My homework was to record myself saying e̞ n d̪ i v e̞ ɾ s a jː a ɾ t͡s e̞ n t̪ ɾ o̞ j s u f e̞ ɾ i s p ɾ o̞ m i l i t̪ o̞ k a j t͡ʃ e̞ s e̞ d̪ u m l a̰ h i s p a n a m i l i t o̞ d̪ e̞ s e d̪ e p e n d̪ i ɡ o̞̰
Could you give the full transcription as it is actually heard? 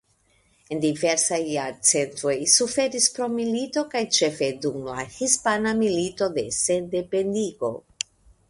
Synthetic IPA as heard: e̞ n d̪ i v e̞ ɾ s a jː a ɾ t͡s e̞ n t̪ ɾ o̞ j s u f e̞ ɾ i s p ɾ o̞ m i l i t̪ o̞ k a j t͡ʃ e̞ f e̞ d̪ u m l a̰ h i s p a n a m i l i t o̞ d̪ e̞ s e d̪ e p e n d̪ i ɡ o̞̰